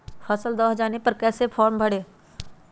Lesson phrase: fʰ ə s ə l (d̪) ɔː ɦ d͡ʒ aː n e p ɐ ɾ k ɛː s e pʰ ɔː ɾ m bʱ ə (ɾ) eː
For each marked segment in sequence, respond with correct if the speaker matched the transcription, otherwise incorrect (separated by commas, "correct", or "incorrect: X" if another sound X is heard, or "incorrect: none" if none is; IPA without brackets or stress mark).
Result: correct, incorrect: ɽ